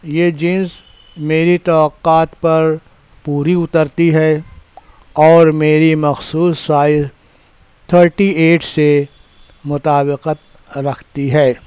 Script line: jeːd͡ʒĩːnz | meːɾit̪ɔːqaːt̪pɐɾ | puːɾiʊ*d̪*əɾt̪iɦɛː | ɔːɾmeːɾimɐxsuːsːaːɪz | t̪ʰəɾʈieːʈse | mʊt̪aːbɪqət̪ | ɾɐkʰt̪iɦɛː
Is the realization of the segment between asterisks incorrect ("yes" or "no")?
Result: yes